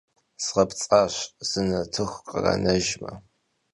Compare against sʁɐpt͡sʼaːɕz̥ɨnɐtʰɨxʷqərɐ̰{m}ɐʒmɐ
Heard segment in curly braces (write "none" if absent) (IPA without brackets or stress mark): n